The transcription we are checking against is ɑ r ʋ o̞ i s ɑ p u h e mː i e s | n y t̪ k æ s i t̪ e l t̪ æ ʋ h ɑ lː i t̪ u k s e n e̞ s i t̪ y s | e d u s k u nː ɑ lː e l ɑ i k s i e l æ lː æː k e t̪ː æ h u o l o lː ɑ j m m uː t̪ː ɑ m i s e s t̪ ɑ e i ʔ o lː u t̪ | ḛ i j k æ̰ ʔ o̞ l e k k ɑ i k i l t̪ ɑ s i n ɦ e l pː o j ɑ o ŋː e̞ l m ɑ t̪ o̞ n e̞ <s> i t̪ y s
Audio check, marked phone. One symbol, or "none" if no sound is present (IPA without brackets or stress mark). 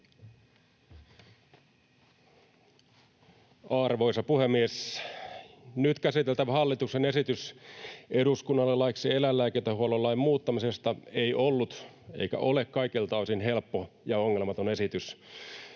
s